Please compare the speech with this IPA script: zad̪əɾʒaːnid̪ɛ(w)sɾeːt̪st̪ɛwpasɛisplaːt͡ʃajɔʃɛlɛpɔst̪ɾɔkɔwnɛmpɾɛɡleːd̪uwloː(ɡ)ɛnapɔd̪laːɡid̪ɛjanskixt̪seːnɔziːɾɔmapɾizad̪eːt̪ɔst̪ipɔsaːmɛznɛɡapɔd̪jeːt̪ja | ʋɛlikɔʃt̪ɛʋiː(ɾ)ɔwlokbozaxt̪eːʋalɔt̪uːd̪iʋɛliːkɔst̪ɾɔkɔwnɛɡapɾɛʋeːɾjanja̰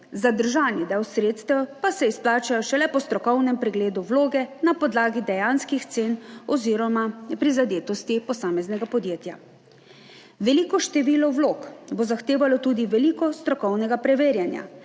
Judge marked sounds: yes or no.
yes, yes, no

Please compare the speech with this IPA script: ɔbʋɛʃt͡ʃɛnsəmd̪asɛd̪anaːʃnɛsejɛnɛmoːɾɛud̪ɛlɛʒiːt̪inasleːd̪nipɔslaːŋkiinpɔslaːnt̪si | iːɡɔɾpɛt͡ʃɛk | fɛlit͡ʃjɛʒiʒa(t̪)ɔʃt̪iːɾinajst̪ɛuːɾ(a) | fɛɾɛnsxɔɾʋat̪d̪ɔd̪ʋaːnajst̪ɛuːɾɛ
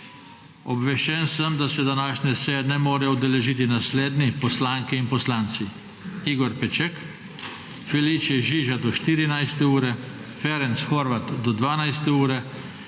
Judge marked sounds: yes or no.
no, no

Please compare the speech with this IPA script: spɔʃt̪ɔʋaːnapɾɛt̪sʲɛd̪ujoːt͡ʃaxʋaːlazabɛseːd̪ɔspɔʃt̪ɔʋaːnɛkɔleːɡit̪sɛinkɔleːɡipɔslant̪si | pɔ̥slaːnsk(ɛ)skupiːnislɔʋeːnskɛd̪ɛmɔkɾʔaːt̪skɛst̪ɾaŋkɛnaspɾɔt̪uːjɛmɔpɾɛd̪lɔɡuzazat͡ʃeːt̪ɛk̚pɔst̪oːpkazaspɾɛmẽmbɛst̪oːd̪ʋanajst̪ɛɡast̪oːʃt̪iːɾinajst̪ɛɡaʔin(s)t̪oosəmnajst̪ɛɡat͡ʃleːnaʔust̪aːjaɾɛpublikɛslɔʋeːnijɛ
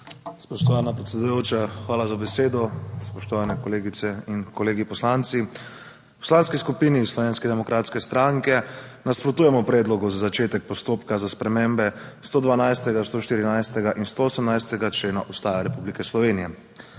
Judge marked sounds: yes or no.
no, yes

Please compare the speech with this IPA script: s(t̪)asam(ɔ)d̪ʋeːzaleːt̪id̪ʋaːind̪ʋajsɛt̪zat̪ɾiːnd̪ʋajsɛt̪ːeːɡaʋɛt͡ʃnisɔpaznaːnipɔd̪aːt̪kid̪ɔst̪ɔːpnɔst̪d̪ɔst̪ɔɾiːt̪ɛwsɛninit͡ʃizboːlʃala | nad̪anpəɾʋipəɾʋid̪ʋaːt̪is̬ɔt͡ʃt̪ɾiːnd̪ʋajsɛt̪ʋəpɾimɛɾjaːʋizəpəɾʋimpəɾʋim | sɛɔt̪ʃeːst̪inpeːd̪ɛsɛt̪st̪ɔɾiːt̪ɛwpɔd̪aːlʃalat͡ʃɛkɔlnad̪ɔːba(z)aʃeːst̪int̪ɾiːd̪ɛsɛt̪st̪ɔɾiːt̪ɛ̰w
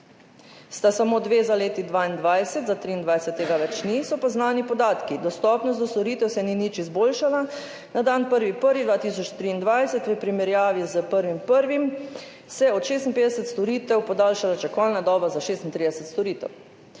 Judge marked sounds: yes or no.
yes, no, yes

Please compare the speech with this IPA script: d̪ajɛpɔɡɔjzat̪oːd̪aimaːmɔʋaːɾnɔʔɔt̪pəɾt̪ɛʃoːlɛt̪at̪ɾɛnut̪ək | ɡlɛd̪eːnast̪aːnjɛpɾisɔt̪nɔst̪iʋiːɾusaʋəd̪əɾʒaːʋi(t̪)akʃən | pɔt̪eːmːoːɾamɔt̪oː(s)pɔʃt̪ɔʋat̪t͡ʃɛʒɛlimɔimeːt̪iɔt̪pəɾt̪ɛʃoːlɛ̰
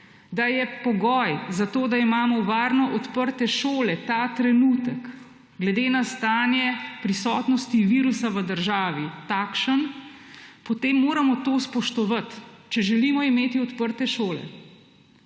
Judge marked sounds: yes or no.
yes, yes

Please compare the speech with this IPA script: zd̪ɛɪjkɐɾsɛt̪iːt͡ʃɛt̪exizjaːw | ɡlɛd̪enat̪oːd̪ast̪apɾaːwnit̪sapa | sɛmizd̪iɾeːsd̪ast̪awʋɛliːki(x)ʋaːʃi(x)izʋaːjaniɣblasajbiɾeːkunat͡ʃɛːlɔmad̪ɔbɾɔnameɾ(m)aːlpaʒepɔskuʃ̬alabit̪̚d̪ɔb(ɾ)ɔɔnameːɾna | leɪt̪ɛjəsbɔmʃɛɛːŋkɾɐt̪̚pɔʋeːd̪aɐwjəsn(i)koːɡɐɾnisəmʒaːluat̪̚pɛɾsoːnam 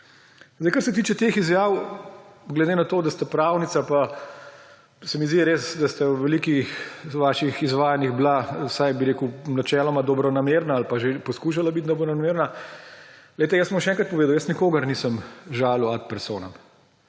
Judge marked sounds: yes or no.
yes, yes, no, yes, yes

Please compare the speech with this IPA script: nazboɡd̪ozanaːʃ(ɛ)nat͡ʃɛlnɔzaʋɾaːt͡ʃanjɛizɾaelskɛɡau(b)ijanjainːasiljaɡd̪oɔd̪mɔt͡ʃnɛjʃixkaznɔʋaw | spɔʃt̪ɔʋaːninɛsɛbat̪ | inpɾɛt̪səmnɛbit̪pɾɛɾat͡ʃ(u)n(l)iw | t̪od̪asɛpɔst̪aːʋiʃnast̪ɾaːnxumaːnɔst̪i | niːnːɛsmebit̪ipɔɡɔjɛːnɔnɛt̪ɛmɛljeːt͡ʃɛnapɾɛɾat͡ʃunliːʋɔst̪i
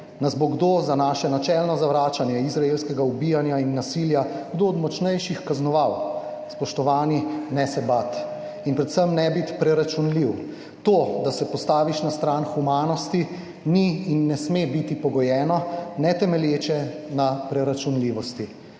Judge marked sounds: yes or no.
yes, yes, yes, yes

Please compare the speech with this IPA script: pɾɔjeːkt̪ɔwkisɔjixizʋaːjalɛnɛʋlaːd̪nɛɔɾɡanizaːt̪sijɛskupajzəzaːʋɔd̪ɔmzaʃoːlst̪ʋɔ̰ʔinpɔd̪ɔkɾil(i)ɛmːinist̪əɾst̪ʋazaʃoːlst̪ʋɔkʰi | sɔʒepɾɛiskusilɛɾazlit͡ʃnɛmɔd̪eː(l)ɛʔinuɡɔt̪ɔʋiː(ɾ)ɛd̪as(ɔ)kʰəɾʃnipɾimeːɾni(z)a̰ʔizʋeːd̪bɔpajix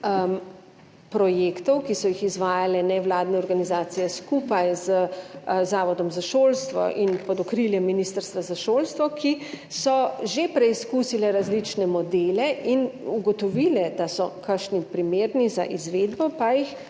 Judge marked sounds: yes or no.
no, yes, no, yes, yes

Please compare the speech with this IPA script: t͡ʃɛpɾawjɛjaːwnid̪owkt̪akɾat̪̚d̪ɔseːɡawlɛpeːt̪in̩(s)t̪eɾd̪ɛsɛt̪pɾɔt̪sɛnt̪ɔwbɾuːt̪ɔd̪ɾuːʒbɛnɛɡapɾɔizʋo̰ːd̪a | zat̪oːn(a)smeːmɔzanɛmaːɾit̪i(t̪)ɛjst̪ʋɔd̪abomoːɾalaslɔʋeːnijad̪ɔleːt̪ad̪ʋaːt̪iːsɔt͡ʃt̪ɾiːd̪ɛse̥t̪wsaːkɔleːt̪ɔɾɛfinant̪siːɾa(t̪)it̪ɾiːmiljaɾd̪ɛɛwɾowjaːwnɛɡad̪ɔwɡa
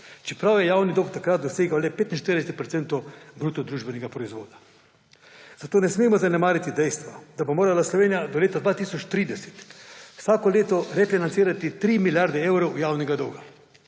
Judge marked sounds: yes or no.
no, no, no, yes

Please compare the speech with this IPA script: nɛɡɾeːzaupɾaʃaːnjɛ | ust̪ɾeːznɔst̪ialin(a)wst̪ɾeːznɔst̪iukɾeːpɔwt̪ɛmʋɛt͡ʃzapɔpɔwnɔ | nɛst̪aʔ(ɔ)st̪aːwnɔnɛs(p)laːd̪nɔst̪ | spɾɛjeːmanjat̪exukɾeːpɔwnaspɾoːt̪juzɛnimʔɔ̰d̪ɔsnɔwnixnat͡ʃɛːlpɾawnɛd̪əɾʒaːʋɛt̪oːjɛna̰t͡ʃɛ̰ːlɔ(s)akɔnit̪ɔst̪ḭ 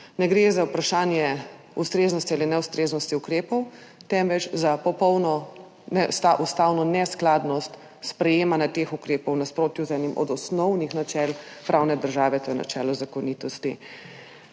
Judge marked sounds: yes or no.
no, no, no, no

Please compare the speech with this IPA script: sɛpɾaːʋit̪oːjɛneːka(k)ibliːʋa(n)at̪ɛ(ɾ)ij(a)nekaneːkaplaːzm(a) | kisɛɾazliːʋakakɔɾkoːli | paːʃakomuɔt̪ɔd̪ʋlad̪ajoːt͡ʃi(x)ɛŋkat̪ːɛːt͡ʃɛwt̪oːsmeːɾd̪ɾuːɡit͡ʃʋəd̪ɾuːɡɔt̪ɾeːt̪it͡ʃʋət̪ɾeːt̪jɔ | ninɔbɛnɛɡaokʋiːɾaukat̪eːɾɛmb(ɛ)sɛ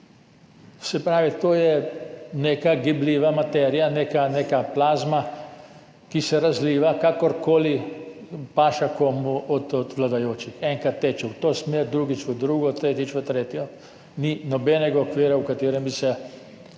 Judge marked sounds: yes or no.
no, no, yes, yes, yes, yes, no

